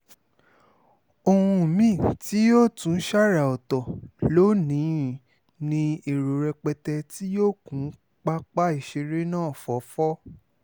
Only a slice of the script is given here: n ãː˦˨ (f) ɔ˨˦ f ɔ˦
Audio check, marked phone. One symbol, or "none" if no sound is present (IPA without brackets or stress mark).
f